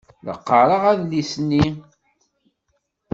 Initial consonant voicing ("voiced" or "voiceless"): voiced